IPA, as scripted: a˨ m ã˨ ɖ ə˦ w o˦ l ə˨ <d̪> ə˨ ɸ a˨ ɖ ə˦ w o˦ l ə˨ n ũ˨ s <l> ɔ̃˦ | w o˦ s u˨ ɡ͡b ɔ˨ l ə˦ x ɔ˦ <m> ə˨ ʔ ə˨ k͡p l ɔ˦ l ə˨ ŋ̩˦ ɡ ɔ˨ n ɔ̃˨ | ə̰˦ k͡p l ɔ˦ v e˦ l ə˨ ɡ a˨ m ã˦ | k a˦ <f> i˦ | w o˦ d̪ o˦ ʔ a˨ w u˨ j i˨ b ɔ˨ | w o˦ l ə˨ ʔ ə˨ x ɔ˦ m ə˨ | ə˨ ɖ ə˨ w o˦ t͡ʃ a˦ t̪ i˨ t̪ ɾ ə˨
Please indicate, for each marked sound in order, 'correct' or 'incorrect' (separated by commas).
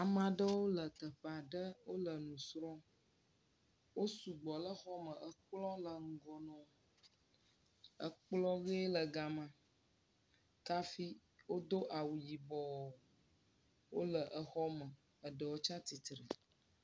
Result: incorrect, incorrect, correct, correct